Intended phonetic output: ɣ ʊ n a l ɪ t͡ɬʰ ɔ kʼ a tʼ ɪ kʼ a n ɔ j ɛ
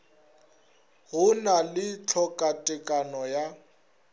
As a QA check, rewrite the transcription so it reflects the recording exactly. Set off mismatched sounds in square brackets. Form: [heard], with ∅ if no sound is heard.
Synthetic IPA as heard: ɣ ʊ n a l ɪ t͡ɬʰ ɔ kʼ a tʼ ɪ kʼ a n ɔ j [a]